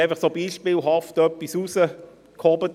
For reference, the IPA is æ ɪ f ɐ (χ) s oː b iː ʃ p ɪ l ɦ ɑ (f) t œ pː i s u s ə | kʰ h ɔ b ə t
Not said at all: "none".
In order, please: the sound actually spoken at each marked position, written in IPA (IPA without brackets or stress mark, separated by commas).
χ, f